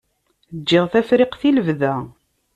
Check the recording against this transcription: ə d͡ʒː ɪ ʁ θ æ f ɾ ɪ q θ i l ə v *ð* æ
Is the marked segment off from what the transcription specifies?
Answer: no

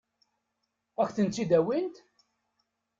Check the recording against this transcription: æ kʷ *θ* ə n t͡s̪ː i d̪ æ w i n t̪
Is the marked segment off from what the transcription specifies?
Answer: no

